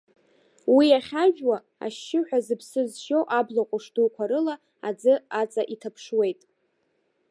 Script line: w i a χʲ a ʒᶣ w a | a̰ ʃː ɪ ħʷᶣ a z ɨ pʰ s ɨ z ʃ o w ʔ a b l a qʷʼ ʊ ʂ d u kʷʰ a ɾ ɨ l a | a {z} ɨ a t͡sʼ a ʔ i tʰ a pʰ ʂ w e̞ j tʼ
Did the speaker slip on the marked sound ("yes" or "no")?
yes